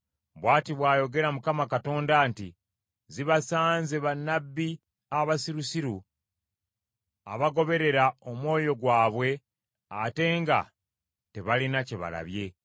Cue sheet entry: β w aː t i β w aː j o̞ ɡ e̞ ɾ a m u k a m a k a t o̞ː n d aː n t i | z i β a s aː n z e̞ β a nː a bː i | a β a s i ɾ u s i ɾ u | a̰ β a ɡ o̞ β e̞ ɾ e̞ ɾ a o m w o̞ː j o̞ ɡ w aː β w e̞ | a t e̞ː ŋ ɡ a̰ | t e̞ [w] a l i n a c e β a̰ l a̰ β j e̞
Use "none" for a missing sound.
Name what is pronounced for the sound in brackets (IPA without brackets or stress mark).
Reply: β